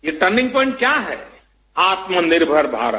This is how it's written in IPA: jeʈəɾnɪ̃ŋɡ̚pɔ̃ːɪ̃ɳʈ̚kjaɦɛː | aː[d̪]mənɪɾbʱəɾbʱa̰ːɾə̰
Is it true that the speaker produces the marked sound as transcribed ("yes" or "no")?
no